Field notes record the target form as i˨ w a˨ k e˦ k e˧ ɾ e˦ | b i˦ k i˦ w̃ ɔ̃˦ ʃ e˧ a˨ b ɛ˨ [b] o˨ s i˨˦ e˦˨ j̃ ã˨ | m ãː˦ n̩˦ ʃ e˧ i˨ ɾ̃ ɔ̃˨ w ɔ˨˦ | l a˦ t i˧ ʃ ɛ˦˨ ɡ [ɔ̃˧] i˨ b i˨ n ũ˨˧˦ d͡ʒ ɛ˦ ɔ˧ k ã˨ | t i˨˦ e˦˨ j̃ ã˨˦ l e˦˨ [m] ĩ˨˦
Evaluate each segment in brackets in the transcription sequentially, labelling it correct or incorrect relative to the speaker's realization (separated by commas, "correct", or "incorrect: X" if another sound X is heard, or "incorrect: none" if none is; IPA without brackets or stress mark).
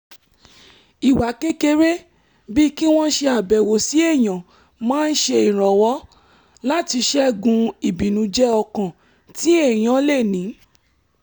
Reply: incorrect: w, incorrect: ũ˧, incorrect: n